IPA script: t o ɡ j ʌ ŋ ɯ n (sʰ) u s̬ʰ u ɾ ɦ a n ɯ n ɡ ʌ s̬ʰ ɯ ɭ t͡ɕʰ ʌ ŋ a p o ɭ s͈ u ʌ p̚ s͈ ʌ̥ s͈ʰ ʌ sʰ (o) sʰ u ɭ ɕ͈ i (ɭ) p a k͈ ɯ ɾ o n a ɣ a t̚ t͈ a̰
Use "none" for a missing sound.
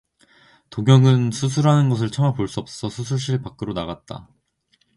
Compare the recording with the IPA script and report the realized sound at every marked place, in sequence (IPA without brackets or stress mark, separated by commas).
sʰ, u, ɭ